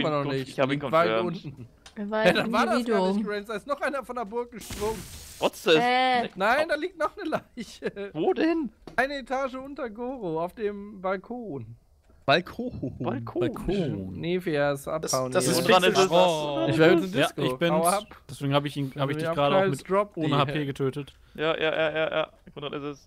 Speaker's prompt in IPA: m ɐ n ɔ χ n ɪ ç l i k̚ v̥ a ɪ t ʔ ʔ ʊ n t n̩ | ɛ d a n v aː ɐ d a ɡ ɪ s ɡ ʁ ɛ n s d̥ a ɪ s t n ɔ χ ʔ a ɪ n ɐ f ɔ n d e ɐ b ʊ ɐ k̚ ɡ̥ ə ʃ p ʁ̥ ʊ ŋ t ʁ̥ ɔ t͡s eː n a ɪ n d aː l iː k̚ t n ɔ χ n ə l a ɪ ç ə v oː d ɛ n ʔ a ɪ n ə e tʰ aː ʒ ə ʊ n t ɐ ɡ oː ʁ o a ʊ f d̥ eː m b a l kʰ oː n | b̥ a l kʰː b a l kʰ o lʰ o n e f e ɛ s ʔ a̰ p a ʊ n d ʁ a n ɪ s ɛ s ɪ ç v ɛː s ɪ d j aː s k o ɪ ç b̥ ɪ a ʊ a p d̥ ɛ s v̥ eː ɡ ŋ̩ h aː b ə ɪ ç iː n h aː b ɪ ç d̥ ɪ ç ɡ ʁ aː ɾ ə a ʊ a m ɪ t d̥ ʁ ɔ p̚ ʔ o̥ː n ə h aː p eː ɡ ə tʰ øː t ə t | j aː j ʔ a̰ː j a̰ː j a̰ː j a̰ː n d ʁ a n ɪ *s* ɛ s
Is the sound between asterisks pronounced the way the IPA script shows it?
yes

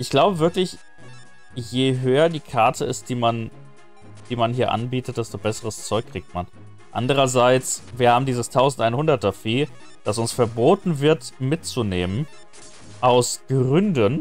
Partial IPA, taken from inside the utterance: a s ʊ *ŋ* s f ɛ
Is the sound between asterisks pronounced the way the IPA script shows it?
no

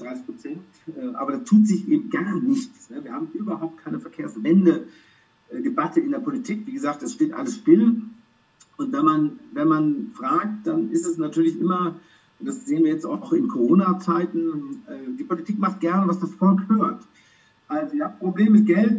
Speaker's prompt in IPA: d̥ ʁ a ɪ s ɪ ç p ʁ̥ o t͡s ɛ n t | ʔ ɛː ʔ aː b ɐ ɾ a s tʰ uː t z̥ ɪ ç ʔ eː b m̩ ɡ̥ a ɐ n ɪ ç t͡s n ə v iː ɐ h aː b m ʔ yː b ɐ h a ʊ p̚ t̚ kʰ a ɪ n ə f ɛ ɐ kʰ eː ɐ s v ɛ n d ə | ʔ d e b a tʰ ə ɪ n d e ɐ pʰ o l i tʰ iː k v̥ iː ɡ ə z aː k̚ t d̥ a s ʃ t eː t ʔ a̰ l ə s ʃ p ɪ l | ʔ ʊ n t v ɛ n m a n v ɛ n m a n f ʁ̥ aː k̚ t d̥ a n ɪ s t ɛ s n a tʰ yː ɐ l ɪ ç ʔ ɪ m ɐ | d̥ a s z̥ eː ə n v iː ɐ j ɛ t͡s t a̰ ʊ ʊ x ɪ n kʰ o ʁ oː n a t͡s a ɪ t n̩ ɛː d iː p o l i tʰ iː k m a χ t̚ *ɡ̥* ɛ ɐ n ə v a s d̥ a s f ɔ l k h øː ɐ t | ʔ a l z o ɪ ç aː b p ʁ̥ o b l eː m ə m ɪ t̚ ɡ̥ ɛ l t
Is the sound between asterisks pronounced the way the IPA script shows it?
yes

